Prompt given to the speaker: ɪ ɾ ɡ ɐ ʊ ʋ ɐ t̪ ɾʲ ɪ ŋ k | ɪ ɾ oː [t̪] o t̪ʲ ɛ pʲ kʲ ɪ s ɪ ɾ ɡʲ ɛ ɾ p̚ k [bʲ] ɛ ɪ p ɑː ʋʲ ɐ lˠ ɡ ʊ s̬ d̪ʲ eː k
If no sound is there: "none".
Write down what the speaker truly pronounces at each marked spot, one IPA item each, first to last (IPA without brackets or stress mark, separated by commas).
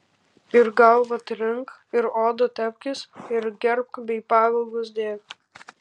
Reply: d̪, bʲ